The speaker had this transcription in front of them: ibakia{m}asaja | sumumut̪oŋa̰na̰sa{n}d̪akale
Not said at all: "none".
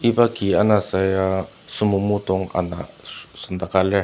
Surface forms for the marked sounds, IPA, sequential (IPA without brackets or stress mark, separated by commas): n, n